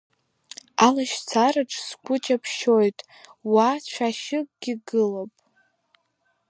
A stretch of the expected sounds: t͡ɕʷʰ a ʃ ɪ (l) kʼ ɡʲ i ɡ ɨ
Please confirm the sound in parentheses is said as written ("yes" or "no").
no